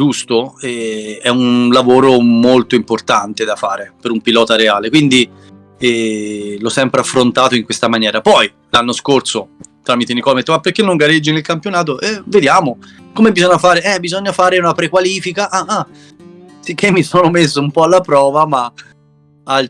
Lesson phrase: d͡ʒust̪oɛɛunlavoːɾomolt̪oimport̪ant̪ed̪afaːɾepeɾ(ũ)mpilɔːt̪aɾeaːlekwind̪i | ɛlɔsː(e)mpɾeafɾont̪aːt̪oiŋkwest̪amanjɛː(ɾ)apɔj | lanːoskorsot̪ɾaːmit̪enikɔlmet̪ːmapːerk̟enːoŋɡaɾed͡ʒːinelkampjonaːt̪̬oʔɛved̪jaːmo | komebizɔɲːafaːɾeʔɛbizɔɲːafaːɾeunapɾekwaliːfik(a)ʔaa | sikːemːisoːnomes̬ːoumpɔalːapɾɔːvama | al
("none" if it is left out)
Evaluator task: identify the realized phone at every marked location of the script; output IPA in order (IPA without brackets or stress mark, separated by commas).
u, ɛ, ɾ, a